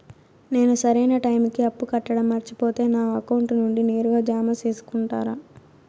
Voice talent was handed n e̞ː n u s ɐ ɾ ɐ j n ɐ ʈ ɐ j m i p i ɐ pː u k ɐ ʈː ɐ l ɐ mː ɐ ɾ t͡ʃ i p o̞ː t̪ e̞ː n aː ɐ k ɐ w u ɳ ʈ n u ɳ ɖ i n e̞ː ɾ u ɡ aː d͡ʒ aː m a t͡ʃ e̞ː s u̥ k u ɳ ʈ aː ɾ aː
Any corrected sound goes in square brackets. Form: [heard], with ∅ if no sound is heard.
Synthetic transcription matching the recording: n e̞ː n u s ɐ ɾ ɐ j n ɐ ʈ ɐ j m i [k] i ɐ pː u k ɐ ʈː ɐ [ɽ] ɐ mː ɐ ɾ t͡ʃ i p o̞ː t̪ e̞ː n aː ɐ k ɐ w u ɳ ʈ n u ɳ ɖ i n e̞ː ɾ u ɡ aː d͡ʒ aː m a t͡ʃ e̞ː s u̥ k u ɳ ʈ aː ɾ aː

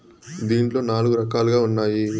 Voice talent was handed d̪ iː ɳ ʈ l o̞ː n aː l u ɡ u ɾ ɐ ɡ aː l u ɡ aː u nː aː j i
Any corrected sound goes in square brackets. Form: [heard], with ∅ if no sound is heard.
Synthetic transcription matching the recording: d̪ iː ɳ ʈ l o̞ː n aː l u ɡ u ɾ ɐ [k] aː l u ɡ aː u nː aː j i

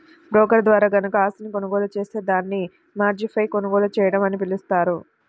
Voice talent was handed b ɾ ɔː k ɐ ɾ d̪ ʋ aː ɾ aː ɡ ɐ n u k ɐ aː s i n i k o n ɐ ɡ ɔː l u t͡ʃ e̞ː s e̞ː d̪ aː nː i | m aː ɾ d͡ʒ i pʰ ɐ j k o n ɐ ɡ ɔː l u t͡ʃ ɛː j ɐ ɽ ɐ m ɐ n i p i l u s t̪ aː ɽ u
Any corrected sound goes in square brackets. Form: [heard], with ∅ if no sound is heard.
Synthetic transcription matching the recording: b ɾ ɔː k ɐ ɾ d̪ ʋ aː ɾ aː ɡ ɐ n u k ɐ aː s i n i k o n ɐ ɡ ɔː l u t͡ʃ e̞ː s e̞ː d̪ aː nː i | m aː ɾ d͡ʒ i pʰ ɐ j k o n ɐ ɡ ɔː l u t͡ʃ ɛː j ɐ ɽ ɐ m ɐ n i p i l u s t̪ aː [ɾ] u

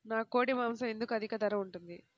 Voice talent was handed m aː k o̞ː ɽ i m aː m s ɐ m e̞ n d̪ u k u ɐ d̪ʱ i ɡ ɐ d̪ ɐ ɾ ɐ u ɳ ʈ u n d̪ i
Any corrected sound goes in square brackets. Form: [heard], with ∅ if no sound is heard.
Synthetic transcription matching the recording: [n] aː k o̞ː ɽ i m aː m s ɐ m e̞ n d̪ u k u ɐ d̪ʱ i [k] ɐ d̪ ɐ ɾ ɐ u ɳ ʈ u n d̪ i

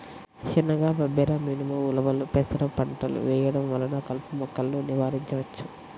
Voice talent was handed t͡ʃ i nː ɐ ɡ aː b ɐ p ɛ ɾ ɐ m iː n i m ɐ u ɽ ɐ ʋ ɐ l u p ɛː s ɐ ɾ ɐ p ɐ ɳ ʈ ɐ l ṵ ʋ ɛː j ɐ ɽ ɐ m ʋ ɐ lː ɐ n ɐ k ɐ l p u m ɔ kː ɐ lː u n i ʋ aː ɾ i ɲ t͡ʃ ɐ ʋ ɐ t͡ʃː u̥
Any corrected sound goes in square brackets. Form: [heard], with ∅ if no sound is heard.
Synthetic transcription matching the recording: t͡ʃ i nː ɐ ɡ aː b ɐ [b] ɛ ɾ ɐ m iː n i m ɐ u [l] ɐ ʋ ɐ l u p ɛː s ɐ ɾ ɐ p ɐ ɳ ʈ ɐ l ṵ ʋ ɛː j ɐ ɽ ɐ m ʋ ɐ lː ɐ n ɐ k ɐ l p u m ɔ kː ɐ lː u n i ʋ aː ɾ i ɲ t͡ʃ ɐ ʋ ɐ t͡ʃː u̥

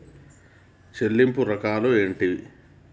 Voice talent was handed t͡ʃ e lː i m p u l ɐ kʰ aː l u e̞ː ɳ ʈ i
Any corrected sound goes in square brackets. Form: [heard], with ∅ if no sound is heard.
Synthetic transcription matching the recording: t͡ʃ e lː i m p u [ɾ] ɐ [k] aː l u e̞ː ɳ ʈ i

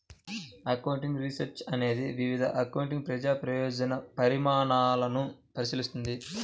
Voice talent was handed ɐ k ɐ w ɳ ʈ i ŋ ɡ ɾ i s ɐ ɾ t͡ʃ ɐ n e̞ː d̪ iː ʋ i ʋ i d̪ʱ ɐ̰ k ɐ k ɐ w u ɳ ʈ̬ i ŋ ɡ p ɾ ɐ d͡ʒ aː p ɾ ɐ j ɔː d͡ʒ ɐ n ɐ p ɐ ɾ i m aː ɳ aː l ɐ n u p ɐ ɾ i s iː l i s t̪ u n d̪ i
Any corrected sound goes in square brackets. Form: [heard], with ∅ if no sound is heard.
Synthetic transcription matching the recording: ɐ k ɐ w ɳ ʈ i ŋ ɡ ɾ i s ɐ ɾ t͡ʃ ɐ n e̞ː d̪ [i] ʋ i ʋ i d̪ʱ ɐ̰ [ʔ] ɐ k ɐ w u ɳ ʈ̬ i ŋ ɡ p ɾ ɐ d͡ʒ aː p ɾ ɐ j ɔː d͡ʒ ɐ n ɐ p ɐ ɾ i m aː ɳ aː l ɐ n u p ɐ ɾ i s [i] l i s t̪ u n d̪ i

